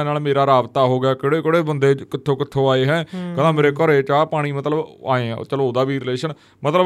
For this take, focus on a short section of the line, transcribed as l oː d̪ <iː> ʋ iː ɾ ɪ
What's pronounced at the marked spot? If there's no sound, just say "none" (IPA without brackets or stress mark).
aː